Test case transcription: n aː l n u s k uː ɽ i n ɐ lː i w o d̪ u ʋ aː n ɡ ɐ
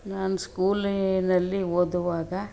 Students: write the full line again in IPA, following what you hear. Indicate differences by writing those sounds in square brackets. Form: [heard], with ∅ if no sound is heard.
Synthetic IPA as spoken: n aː [∅] n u s k uː [l] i n ɐ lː i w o d̪ u ʋ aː [∅] ɡ ɐ

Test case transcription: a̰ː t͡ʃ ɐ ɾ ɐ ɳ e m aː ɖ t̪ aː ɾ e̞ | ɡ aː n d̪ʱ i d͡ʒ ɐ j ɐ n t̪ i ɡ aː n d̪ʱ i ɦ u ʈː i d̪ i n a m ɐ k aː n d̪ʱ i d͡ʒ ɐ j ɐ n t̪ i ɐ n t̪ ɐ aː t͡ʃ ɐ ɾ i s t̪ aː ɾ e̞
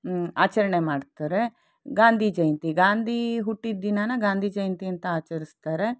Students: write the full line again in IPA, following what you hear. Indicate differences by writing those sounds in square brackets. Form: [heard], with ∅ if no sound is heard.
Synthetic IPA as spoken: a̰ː t͡ʃ ɐ ɾ ɐ ɳ e m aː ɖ t̪ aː ɾ e̞ | ɡ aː n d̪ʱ i d͡ʒ ɐ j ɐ n t̪ i ɡ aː n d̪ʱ i ɦ u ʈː i d̪ i n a [n] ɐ [ɡ] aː n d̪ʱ i d͡ʒ ɐ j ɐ n t̪ i ɐ n t̪ ɐ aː t͡ʃ ɐ ɾ i s t̪ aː ɾ e̞

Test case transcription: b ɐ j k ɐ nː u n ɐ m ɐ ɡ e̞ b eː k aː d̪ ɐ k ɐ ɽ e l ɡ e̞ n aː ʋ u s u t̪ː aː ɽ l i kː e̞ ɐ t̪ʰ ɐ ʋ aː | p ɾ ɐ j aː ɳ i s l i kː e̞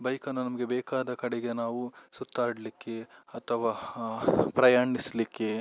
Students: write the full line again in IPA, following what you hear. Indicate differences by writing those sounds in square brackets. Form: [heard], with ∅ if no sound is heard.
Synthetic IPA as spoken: b ɐ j k ɐ nː u n ɐ m ɐ ɡ e̞ b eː k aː d̪ ɐ k ɐ ɽ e [∅] ɡ e̞ n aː ʋ u s u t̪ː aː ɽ l i kː e̞ ɐ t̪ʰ ɐ ʋ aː | p ɾ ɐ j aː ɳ i s l i kː e̞

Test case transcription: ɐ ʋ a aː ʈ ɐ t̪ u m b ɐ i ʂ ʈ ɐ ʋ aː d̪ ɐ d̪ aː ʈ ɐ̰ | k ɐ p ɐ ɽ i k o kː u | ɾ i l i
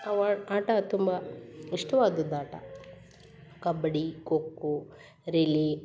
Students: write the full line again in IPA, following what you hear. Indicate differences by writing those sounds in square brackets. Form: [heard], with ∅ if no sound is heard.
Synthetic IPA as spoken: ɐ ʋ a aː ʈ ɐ t̪ u m b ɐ i ʂ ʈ ɐ ʋ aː d̪ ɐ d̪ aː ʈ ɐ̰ | k ɐ [b] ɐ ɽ i k o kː u | ɾ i l i

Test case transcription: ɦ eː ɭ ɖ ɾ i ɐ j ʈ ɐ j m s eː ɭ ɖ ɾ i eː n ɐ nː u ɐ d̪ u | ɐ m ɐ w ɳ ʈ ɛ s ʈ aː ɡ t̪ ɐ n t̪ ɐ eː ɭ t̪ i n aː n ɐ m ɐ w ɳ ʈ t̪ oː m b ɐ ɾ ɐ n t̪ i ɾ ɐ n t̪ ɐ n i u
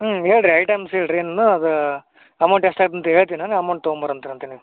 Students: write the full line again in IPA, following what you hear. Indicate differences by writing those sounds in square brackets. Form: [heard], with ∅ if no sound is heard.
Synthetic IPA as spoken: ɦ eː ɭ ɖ ɾ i ɐ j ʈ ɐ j m s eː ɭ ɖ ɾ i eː n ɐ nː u ɐ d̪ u | ɐ m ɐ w ɳ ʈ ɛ s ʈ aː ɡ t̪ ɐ n t̪ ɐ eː ɭ t̪ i n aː n ɐ m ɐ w ɳ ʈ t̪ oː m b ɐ ɾ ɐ n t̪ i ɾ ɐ n t̪ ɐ n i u

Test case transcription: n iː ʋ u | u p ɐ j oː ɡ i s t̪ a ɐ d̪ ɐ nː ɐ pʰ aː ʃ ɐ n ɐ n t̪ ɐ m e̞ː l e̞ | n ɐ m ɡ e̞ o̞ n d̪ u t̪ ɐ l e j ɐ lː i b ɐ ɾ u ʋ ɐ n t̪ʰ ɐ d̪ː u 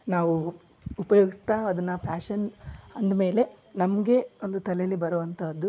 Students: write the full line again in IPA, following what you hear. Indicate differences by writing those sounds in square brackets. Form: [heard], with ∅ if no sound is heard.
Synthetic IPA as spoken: n [aː] ʋ u | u p ɐ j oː ɡ i s t̪ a ɐ d̪ ɐ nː ɐ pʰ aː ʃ ɐ n ɐ n [d̪] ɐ m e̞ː l e̞ | n ɐ m ɡ e̞ o̞ n d̪ u t̪ ɐ l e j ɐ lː i b ɐ ɾ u ʋ ɐ n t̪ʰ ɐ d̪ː u

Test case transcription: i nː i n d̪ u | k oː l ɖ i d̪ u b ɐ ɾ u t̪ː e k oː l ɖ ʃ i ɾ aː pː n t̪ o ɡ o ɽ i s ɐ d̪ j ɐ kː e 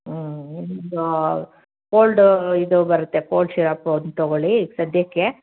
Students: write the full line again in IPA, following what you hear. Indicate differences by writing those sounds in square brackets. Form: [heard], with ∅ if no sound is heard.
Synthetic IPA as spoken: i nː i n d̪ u | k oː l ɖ i d̪ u b ɐ ɾ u t̪ː e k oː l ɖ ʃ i ɾ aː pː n t̪ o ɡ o [ɭ] i s ɐ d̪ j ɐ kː e

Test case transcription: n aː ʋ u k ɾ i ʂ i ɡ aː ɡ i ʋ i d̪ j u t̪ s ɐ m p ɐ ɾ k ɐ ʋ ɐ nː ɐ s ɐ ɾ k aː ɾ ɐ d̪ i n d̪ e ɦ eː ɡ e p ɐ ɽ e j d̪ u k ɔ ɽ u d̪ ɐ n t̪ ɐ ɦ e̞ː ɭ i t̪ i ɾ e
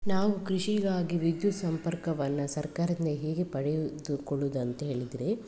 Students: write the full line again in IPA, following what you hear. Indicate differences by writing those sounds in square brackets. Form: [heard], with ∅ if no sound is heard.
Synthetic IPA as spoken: n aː ʋ u k ɾ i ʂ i ɡ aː ɡ i ʋ i d̪ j u t̪ s ɐ m p ɐ ɾ k ɐ ʋ ɐ nː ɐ s ɐ ɾ k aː ɾ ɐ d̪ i n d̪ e ɦ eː ɡ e p ɐ ɽ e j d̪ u k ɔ [ɭ] u d̪ ɐ n t̪ ɐ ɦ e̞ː ɭ i [d̪] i ɾ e

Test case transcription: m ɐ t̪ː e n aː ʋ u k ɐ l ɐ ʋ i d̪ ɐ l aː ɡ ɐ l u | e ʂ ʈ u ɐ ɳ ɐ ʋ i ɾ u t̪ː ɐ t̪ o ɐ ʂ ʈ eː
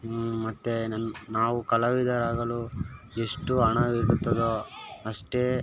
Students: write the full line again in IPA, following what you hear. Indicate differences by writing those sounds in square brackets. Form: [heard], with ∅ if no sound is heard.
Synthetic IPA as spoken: m ɐ t̪ː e n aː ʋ u k ɐ l ɐ ʋ i d̪ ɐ [ɾ] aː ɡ ɐ l u | e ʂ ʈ u ɐ ɳ ɐ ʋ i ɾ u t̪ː ɐ [d̪] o ɐ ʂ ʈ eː

